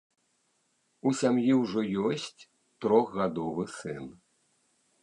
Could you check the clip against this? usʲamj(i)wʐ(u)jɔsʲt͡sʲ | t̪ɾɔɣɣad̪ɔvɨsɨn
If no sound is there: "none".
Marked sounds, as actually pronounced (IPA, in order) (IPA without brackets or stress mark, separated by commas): i, ɔ